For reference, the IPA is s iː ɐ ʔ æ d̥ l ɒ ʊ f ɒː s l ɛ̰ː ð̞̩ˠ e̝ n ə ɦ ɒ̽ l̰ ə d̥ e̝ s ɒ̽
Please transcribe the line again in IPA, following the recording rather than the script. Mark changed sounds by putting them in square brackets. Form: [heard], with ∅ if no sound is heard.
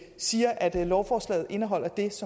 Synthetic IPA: s iː ɐ ʔ æ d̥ l ɒ ʊ f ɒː s l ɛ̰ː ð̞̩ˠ e̝ n ə ɦ ɒ̽ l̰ [ɐ] d̥ e̝ s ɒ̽